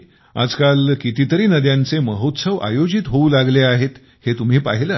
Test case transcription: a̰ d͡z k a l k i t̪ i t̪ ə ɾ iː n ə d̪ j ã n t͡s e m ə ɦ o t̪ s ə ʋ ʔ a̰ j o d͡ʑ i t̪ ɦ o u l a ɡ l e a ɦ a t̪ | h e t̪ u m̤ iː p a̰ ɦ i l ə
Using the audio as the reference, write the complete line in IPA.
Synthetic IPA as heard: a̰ d͡z k a l k i t̪ i t̪ ə ɾ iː n ə d̪ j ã n t͡s e m ə ɦ o t̪ s ə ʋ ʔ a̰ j o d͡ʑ i t̪ ɦ o u l a ɡ l e a ɦ e t̪ | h e t̪ u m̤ iː p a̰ ɦ i l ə

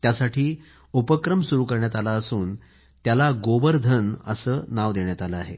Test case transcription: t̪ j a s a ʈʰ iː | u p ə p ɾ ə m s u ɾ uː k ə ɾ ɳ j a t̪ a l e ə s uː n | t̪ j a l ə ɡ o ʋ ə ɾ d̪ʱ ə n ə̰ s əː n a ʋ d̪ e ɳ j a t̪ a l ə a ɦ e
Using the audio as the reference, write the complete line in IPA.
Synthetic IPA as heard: t̪ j a s a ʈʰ iː | u p ə k ɾ ə m s u ɾ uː k ə ɾ ɳ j a t̪ a l a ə s uː n | t̪ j a l a ɡ o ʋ ə ɾ d̪ʱ ə n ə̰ s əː n a ʋ d̪ e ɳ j a t̪ a l ə a ɦ e

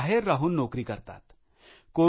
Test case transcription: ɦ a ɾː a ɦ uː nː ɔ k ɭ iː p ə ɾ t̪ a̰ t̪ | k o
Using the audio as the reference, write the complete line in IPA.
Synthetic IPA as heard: ɦ e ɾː a ɦ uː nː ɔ k ɾ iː k ə ɾ t̪ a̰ t̪ | k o

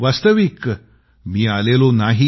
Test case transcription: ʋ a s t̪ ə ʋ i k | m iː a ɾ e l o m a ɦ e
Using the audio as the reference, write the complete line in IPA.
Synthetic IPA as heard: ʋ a s t̪ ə ʋ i k | m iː a l e l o n a ɦ i

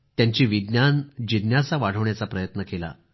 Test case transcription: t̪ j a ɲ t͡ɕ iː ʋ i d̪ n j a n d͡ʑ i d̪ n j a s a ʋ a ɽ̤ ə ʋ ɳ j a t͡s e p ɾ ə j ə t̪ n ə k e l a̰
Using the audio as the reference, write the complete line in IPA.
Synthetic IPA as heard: t̪ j a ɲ t͡ɕ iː ʋ i d̪ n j a n d͡ʑ i d̪ n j a s a ʋ a ɽ̤ ə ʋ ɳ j a t͡s a p ɾ ə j ə t̪ n ə k e l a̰

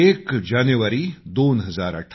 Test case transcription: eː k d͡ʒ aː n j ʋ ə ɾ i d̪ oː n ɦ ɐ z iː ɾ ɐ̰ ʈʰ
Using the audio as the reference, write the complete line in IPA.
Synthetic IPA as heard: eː k d͡ʒ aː n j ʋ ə ɾ i d̪ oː n ɦ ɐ z aː ɾ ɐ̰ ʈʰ

